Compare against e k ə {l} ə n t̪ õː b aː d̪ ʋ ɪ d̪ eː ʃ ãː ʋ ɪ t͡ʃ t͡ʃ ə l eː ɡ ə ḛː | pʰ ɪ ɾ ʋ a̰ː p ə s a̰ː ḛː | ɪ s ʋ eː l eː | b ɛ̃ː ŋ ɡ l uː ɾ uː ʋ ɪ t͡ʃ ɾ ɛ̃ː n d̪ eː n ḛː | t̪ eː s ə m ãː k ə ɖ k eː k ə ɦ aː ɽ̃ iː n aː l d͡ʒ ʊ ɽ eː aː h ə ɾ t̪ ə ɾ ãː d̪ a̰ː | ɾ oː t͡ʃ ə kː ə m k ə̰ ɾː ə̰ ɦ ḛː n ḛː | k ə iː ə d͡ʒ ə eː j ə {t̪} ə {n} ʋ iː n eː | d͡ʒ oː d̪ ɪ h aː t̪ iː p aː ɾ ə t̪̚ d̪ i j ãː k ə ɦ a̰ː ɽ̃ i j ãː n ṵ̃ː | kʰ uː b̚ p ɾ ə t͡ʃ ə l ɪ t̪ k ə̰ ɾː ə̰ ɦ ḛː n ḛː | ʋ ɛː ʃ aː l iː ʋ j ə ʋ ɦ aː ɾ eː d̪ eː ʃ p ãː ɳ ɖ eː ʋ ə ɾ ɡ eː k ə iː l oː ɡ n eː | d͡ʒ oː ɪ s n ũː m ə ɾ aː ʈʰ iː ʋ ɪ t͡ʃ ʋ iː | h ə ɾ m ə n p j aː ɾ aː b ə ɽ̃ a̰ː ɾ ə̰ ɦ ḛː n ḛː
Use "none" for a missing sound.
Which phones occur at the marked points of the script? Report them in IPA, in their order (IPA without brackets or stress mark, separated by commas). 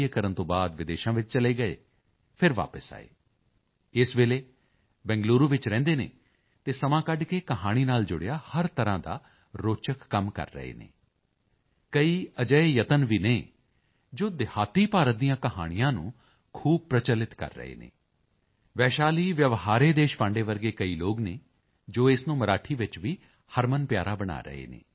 ɾ, t̪, n